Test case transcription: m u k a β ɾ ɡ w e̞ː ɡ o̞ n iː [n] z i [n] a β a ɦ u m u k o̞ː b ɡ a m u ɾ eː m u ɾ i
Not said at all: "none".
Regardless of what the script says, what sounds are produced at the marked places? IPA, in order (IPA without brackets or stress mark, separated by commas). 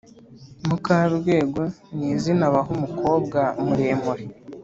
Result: none, n